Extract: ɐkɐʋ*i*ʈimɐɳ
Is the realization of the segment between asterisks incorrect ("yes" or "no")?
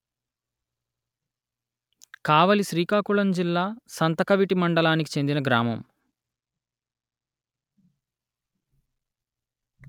no